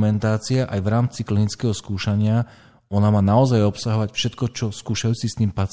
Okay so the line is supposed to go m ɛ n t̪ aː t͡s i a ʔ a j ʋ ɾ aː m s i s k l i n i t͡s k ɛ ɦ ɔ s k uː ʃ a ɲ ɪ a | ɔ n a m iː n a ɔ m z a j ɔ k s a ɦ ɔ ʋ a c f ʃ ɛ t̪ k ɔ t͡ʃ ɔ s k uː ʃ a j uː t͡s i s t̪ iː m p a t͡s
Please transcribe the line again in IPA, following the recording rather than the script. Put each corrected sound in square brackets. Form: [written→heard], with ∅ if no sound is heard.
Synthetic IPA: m ɛ n t̪ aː t͡s i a ʔ a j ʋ ɾ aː m [s→t͡s] i [s→∅] k l i n i t͡s k ɛ ɦ ɔ s k uː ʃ a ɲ ɪ a | ɔ n a m [iː→aː] n a ɔ [m→∅] z a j ɔ [k→p] s a ɦ ɔ ʋ a c f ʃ ɛ t̪ k ɔ t͡ʃ ɔ s k uː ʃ a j uː t͡s i s t̪ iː m p a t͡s